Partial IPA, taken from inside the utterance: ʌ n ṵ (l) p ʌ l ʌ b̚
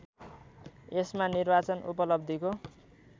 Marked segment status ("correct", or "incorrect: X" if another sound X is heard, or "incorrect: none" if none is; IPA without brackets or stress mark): incorrect: none